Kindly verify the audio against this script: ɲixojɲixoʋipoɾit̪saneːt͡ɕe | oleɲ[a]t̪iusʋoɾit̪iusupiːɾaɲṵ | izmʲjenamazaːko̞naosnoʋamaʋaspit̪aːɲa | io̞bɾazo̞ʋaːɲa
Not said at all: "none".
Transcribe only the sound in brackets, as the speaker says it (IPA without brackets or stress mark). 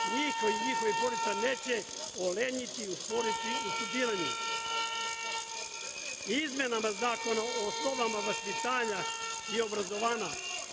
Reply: i